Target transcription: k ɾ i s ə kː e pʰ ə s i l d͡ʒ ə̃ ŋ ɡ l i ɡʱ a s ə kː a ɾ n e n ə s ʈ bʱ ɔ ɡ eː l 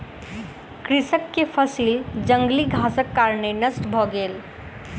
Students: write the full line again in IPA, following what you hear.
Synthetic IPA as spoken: k ɾ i s ə kː e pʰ ə s i l d͡ʒ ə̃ ŋ ɡ l i ɡʱ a s ə kː a ɾ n e n ə s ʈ bʱ ɔ ɡ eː l

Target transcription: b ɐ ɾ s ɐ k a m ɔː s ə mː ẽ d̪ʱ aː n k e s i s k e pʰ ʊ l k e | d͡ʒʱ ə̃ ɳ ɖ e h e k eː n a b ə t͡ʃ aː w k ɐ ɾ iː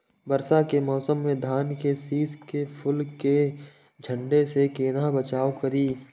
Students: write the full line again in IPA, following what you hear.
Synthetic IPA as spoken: b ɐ ɾ s a k e m ɔː s ə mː ẽ d̪ʱ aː n k e s iː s k e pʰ ʊ l k e | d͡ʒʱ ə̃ ɳ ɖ e s e k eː n a b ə t͡ʃ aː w k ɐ ɾ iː

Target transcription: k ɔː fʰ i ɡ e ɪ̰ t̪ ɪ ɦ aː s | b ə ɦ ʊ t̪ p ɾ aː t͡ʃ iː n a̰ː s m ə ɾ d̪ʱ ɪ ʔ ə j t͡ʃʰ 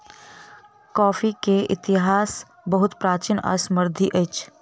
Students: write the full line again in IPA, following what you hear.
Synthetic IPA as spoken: k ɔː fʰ i k e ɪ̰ t̪ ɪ ɦ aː s | b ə ɦ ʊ t̪ p ɾ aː t͡ʃ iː n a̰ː s m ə ɾ d̪ʱ i ʔ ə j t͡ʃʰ

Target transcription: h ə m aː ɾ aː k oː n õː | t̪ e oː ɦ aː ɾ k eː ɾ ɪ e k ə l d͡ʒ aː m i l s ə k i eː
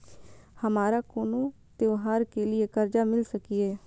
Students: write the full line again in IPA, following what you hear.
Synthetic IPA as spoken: h ə m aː ɾ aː k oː n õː | t̪ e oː ɦ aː ɾ k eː l ɪ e k ə ɾ d͡ʒ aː m ɪ l s ə k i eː

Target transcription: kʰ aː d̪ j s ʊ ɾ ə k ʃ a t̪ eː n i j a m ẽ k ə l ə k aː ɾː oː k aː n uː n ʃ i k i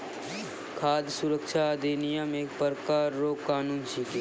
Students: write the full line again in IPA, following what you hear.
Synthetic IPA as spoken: kʰ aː d̪ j s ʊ ɾ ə k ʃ a d̪ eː n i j a m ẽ p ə ɾ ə k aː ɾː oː k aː n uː n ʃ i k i

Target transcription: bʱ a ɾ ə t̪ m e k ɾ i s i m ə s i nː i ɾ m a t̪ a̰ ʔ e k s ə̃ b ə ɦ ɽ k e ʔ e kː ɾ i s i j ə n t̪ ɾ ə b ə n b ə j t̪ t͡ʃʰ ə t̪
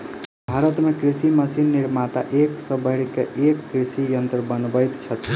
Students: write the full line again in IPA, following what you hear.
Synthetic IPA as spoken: bʱ a ɾ ə t̪ m e k ɾ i s i m ə s i nː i ɾ m a t̪ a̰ ʔ e k s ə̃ b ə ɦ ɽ k e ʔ e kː ɾ i s i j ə n t̪ ɾ ə b ə n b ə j t̪ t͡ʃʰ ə t̪

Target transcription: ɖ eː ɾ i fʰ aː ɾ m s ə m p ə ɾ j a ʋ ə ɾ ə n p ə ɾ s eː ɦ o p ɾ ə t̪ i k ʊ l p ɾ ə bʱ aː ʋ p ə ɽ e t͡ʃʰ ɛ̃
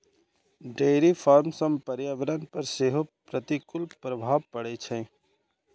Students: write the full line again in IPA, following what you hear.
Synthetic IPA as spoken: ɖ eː ɾ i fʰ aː ɾ m s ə m p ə ɾ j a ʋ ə ɾ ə n p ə ɾ s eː ɦ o p ɾ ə t̪ i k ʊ l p ɾ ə bʱ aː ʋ p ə ɽ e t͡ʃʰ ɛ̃

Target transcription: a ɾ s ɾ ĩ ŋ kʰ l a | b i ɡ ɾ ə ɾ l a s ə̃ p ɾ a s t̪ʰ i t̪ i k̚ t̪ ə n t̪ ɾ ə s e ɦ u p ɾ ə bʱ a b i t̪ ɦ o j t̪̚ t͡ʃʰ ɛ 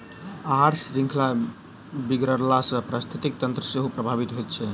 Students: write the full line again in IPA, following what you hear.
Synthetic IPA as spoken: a ɾ s ɾ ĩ ŋ kʰ l a | b i ɡ ɾ ə ɾ l a s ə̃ p ɾ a s t̪ʰ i t̪ i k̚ t̪ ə n t̪ ɾ ə s e ɦ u p ɾ ə bʱ a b i t̪ ɦ o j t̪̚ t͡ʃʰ ɛ

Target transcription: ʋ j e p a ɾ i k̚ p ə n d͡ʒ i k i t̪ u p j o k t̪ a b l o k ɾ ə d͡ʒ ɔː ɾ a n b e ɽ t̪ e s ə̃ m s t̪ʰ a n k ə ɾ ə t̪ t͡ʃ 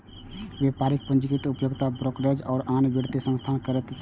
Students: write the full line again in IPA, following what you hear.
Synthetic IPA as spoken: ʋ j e p a ɾ i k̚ p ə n d͡ʒ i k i t̪ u p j o ɡ t̪ a b ɾ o k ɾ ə d͡ʒ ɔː ɾ a n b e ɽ t̪ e s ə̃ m s t̪ʰ a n k ə ɾ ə t̪ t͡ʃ

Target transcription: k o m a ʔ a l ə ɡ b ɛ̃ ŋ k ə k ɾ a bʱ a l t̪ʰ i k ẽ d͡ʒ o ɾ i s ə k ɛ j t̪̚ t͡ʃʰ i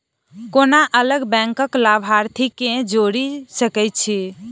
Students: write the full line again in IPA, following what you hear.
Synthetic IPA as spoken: k o n a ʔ ə l ə ɡ b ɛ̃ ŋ k ə k l a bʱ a ɾ t̪ʰ i k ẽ d͡ʒ o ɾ i s ə k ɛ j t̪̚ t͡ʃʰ i

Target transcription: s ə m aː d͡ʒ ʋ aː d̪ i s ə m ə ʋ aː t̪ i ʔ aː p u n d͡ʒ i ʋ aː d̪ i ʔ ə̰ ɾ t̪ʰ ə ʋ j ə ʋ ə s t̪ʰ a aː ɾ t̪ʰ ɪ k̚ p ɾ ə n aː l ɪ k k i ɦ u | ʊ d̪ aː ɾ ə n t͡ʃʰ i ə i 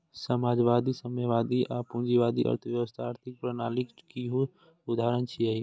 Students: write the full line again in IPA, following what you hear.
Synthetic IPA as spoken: s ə m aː d͡ʒ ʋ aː d̪ i s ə m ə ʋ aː d̪ i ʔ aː p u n d͡ʒ i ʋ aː d̪ i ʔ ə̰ ɾ t̪ʰ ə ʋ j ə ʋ ə s t̪ʰ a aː ɾ t̪ʰ ɪ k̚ p ɾ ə n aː l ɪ k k i ɦ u | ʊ d̪ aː ɾ ə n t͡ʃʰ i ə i

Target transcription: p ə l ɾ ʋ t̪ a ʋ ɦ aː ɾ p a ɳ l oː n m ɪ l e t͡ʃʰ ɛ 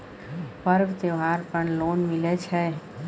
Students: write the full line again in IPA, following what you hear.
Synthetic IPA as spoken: p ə ɾ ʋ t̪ e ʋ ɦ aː ɾ p ə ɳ l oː n m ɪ l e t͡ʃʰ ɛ

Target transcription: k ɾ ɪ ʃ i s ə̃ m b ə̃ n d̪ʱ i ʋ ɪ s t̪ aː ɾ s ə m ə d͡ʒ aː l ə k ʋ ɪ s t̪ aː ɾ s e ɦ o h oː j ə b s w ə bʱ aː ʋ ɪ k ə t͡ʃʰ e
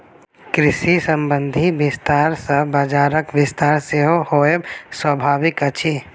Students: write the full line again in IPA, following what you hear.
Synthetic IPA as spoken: k ɾ ɪ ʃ i s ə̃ m b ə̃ n d̪ʱ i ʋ ɪ s t̪ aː ɾ s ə b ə d͡ʒ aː ɾ ə k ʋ ɪ s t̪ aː ɾ s e ɦ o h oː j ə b s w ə bʱ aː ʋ ɪ k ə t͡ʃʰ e

